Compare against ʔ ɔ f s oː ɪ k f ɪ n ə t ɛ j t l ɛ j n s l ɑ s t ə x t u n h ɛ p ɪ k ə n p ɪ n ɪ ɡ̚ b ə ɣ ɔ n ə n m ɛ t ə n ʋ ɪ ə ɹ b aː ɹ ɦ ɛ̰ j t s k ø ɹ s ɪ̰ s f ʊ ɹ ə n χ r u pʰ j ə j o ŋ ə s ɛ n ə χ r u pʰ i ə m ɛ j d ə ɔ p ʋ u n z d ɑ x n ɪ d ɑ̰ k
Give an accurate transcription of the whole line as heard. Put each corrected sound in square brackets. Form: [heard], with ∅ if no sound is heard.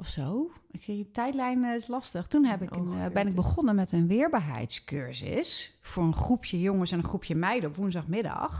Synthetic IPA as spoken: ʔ ɔ f s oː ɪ k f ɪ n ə t ɛ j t l ɛ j n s l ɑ s t ə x t u n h ɛ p ɪ k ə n [b] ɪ n ɪ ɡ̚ b ə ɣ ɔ n ə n m ɛ t ə n ʋ ɪ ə ɹ b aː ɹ ɦ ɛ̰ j t s k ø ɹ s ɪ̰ s f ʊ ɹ ə n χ r u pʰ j ə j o ŋ ə s ɛ n ə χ r u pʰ [j] ə m ɛ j d ə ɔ p ʋ u n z d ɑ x [m] ɪ d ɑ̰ [x]